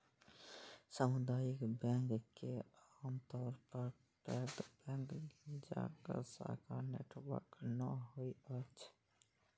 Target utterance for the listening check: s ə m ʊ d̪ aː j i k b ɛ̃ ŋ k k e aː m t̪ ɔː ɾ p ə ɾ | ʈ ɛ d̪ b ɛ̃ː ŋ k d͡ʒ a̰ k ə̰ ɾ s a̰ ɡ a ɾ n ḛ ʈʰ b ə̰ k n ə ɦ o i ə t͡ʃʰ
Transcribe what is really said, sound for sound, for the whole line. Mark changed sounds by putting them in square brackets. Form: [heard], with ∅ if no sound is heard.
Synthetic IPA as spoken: s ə m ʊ d̪ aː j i k b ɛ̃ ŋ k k e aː m t̪ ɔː ɾ p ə ɾ | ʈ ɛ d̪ b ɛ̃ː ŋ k d͡ʒ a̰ k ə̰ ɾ s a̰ [k] a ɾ n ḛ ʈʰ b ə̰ k n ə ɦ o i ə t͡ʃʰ

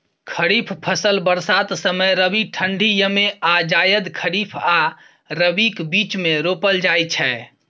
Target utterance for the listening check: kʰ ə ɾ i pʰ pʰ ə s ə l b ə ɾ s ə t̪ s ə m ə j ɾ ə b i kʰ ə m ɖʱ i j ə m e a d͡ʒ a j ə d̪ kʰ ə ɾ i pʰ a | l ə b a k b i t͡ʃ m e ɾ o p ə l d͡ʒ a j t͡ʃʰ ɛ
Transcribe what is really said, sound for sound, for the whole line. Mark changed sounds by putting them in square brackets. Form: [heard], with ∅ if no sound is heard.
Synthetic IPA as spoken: kʰ ə ɾ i pʰ pʰ ə s ə l b ə ɾ s [a] t̪ s ə m ə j ɾ ə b i [ʈʰ] ə [ɳ] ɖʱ i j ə m e a d͡ʒ a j ə d̪ kʰ ə ɾ i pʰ a | [ɾ] ə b [i] k b i t͡ʃ m e ɾ o p ə l d͡ʒ a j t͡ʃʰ ɛ

